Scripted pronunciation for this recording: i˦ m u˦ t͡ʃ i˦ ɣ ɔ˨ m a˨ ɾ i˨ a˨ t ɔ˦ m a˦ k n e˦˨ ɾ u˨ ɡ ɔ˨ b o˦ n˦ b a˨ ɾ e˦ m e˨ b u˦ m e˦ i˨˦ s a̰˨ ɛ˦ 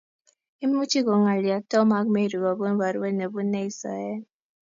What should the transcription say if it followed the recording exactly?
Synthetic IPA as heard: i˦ m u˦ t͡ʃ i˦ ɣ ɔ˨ ŋ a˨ l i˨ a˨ t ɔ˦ m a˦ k m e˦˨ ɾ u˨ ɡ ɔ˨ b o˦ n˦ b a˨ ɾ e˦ n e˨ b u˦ n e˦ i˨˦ s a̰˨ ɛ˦